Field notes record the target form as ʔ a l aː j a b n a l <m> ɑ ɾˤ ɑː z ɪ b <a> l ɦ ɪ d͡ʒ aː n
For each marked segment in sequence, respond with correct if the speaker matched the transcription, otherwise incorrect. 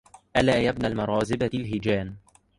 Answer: correct, correct

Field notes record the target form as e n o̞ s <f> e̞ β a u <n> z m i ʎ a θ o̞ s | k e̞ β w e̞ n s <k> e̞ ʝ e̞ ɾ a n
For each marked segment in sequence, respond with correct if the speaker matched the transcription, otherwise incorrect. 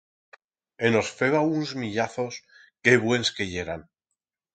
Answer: correct, correct, correct

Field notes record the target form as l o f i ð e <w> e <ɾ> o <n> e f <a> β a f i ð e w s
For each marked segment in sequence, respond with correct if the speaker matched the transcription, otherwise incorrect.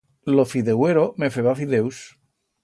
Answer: correct, correct, incorrect: m, incorrect: e

